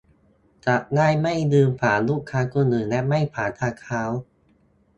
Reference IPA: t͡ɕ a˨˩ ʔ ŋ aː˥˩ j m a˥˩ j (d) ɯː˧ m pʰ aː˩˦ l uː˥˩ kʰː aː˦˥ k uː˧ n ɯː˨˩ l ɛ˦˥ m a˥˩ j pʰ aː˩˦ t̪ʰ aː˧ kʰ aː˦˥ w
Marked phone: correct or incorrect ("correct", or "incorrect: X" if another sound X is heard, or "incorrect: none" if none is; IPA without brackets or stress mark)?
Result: correct